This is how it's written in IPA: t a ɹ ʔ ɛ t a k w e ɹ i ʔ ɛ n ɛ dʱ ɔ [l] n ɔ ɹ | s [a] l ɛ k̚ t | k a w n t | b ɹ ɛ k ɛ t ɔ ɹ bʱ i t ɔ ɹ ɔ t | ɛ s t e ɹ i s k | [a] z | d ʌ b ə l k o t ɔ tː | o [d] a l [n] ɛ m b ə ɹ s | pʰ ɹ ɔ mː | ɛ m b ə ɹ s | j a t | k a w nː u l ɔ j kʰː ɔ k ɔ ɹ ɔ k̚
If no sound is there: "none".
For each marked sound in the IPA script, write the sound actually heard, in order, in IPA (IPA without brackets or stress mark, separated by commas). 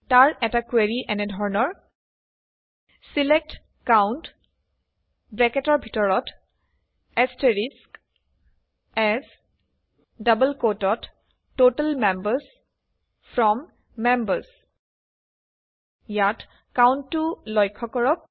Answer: ɹ, i, ɛ, t, m